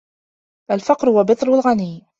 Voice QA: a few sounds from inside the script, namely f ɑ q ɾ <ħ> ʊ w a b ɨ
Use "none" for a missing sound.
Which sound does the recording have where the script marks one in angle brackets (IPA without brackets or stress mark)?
h